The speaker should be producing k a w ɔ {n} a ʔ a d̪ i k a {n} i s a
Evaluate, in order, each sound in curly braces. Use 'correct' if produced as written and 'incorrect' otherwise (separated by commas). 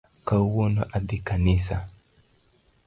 correct, correct